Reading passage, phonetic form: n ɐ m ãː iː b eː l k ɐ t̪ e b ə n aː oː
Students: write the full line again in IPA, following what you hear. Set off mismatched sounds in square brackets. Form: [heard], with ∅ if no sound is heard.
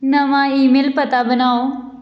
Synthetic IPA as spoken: n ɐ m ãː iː [m] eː l [p] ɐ t̪ [a] b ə n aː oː